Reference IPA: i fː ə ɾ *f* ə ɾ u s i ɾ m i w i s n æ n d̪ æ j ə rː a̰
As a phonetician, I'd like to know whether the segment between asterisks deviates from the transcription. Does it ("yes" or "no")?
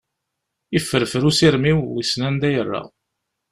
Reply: no